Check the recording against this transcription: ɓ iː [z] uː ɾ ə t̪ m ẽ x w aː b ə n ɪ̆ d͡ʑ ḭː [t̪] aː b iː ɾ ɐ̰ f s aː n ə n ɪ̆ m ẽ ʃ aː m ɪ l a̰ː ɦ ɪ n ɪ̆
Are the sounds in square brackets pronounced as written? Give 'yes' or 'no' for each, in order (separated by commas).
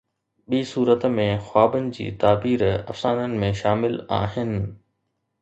no, yes